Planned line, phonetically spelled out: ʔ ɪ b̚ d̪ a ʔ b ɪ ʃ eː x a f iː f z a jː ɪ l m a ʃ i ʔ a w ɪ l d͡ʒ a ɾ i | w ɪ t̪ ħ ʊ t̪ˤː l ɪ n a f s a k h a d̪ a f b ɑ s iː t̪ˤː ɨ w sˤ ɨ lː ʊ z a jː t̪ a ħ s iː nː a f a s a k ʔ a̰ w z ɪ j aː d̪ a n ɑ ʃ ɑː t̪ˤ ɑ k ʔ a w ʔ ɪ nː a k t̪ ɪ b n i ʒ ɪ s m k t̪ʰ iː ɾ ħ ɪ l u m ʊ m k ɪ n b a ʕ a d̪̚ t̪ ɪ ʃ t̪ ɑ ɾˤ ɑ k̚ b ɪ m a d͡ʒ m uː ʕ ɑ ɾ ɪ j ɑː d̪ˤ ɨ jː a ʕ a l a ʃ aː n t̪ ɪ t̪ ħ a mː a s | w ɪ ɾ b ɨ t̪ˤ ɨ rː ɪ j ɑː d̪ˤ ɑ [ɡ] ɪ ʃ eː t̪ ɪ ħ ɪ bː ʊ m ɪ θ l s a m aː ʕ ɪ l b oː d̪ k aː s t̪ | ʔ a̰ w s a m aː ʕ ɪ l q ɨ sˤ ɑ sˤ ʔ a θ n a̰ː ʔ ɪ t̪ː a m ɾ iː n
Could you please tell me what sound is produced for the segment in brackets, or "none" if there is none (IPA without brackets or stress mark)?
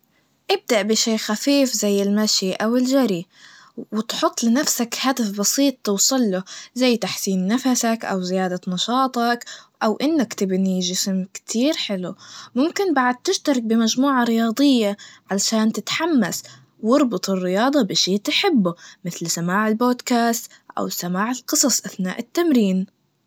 b